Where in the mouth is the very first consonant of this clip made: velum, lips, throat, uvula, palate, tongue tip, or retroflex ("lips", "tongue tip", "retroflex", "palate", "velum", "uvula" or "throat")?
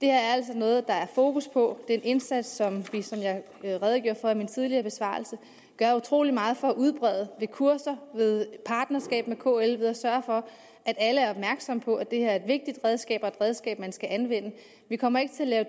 tongue tip